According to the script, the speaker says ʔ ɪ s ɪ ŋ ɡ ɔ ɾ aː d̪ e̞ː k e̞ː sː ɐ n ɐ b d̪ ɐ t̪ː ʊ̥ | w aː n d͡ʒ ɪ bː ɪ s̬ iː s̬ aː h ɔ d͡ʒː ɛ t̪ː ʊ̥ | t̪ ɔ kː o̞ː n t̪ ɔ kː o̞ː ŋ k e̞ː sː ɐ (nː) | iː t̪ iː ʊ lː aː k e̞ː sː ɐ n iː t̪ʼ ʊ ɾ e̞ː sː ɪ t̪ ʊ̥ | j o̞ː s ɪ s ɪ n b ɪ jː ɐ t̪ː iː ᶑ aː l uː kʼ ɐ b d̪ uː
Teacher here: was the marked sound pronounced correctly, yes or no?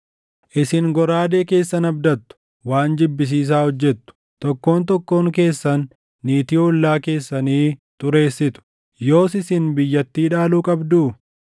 yes